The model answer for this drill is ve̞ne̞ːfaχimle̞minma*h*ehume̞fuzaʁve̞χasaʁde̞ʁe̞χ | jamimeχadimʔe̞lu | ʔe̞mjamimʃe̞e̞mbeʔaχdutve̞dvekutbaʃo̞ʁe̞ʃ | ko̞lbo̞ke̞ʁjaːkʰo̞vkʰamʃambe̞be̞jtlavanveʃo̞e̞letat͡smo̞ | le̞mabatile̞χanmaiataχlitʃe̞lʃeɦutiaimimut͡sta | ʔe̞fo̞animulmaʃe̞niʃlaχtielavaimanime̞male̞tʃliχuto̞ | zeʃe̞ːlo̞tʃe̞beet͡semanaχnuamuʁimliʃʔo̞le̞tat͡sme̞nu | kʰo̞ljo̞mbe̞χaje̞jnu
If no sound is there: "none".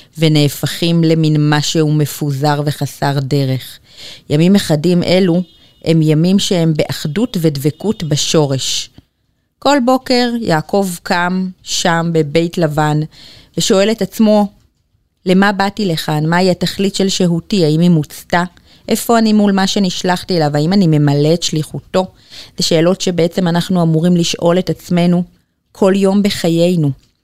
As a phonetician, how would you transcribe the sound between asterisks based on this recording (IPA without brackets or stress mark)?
ʃ